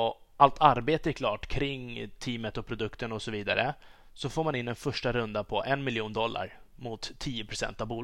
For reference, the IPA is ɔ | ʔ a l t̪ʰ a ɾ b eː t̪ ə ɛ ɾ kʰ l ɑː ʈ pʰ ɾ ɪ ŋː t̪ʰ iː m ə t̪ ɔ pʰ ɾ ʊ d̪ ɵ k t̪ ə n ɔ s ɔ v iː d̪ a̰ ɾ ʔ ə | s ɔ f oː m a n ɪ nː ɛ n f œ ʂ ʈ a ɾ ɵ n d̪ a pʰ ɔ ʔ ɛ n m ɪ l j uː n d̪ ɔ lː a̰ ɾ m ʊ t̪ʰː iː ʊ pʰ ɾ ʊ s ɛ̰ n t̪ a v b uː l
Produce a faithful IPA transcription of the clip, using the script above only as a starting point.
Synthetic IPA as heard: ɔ | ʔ a l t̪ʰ a ɾ b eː t̪ ə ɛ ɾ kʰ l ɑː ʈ kʰ ɾ ɪ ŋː t̪ʰ iː m ə t̪ ɔ pʰ ɾ ʊ d̪ ɵ k t̪ ə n ɔ s ɔ v iː d̪ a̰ ɾ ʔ ə | s ɔ f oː m a n ɪ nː ɛ n f œ ʂ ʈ a ɾ ɵ n d̪ a pʰ ɔ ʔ ɛ n m ɪ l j uː n d̪ ɔ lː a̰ ɾ m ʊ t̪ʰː iː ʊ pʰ ɾ ʊ s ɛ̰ n t̪ a v b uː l